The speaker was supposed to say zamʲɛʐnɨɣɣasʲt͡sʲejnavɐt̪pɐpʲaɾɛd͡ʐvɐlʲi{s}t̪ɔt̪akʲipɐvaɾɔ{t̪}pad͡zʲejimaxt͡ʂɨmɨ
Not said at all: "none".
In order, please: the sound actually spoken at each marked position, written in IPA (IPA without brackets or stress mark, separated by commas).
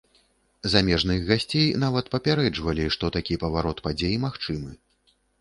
ʂ, t̪